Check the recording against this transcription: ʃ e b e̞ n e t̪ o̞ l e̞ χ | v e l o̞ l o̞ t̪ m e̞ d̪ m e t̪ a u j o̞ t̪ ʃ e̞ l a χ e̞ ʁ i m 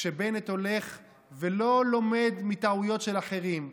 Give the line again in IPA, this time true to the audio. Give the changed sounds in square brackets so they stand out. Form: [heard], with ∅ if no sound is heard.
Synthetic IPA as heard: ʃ e b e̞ n e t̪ o̞ l e̞ χ | v e l o̞ l o̞ [∅] m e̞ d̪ m [i] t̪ a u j o̞ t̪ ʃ e̞ l a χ e̞ ʁ i m